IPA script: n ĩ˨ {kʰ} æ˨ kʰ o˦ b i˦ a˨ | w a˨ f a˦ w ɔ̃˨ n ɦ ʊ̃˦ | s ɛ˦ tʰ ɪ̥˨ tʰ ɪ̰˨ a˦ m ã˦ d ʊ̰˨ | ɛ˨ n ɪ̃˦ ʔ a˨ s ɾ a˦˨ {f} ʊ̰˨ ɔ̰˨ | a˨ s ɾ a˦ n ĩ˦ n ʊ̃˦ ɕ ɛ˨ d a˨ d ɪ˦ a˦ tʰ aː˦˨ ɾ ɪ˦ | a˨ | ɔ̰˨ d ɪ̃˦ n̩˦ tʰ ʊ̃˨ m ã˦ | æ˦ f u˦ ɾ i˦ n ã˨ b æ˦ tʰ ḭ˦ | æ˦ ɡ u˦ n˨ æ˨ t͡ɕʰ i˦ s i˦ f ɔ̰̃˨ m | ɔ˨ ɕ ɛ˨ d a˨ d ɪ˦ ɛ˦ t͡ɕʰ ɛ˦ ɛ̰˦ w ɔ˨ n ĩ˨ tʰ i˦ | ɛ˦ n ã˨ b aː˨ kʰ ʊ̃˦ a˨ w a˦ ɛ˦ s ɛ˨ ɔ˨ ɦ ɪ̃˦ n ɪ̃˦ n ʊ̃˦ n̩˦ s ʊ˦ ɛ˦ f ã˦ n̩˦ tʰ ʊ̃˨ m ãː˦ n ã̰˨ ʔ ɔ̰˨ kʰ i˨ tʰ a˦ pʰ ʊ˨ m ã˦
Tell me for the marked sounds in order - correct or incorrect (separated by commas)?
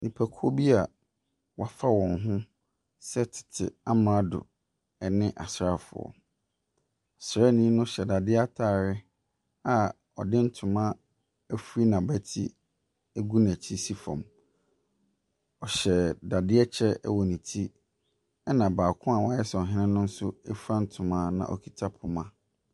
incorrect, correct